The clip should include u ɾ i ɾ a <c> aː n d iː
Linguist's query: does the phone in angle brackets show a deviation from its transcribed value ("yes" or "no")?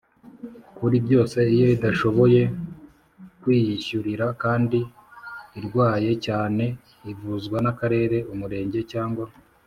yes